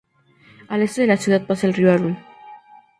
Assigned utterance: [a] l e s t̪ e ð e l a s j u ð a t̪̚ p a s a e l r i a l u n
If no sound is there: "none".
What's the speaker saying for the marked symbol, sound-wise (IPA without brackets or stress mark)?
a